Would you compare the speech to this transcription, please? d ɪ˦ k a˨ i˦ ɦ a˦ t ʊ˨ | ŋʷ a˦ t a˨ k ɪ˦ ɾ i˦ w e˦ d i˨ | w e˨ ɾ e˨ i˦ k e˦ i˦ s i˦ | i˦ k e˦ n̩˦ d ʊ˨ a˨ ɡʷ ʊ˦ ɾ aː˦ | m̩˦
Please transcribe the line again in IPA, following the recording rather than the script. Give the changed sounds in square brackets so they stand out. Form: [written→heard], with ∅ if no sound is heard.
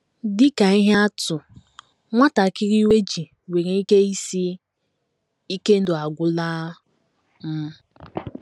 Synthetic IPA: d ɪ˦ k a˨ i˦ ɦ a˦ t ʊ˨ | ŋʷ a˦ t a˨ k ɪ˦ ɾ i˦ w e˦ [d→d͡ʒ] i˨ | w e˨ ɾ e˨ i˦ k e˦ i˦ s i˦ | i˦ k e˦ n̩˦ d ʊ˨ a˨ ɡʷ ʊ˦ [ɾ→l] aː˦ | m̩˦